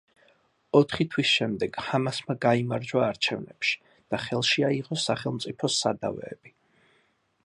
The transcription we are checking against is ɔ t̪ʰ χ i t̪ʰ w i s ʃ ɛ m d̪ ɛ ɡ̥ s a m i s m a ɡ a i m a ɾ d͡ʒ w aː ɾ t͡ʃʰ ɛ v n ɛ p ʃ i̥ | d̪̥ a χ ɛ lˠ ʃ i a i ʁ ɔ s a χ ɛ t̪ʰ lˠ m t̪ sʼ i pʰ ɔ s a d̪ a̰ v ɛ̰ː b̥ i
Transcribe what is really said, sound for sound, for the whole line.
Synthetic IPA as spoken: ɔ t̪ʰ χ i t̪ʰ w i s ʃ ɛ m d̪ ɛ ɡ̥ h a m a s m a ɡ a i m a ɾ d͡ʒ w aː ɾ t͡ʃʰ ɛ v n ɛ p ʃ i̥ | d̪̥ a χ ɛ lˠ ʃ i a i ʁ ɔ s a χ ɛ lˠ m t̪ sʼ i pʰ ɔ s a d̪ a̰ v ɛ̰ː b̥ i